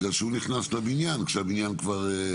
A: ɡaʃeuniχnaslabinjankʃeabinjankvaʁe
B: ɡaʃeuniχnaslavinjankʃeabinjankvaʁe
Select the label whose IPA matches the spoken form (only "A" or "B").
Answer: A